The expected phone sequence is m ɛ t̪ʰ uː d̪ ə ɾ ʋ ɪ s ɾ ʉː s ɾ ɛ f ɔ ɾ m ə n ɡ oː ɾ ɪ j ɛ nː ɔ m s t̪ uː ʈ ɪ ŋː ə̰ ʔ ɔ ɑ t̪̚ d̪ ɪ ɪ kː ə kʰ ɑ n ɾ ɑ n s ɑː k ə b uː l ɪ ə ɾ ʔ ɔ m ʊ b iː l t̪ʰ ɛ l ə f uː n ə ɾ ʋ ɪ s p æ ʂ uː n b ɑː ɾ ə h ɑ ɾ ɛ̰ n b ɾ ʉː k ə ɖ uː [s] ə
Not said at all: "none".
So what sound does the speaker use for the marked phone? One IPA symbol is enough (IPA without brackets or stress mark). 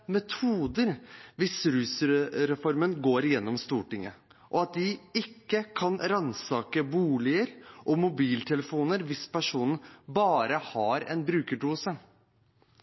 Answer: s